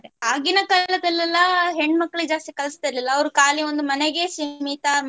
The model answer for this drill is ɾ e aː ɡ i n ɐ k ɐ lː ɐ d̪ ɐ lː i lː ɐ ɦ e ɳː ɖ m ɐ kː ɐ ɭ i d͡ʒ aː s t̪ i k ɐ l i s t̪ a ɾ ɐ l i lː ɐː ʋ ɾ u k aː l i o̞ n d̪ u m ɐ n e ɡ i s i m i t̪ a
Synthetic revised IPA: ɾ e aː ɡ i n ɐ k ɐ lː ɐ d̪ ɐ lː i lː ɐ ɦ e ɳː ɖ m ɐ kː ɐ ɭ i d͡ʒ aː s t̪ i k ɐ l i s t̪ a ɾ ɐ l i lː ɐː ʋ ɾ u k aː l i o̞ n d̪ u m ɐ n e ɡ e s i m i t̪ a